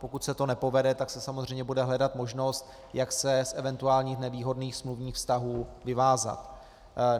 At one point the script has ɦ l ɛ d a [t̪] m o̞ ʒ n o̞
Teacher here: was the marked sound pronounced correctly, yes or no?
yes